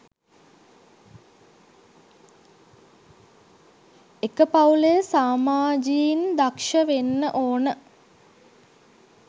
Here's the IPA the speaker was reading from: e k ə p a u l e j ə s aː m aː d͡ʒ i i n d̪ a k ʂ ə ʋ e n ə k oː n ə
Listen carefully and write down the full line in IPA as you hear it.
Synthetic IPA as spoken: e k ə p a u l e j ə s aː m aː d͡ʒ i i n d̪ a k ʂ ə ʋ e nː ə ʔ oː n ə